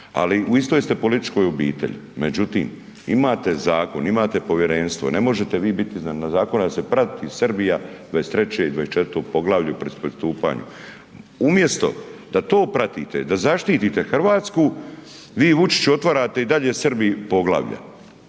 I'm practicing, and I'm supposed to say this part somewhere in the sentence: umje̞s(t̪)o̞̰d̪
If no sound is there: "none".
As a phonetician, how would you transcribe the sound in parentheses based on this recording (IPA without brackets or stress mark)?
t̪